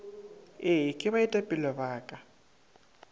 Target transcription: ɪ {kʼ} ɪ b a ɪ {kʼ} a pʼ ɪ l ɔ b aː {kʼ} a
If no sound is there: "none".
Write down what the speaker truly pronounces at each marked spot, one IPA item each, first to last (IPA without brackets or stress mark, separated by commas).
kʼ, tʼ, kʼ